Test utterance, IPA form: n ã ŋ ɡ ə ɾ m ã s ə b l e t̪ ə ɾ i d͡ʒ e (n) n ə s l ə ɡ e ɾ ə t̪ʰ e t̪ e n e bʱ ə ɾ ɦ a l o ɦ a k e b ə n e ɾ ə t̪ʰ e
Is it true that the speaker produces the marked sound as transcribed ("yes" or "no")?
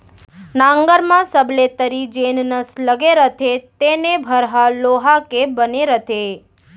yes